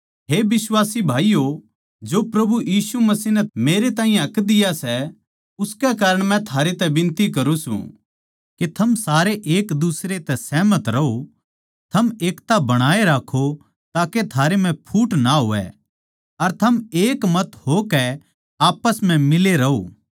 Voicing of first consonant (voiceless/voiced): voiced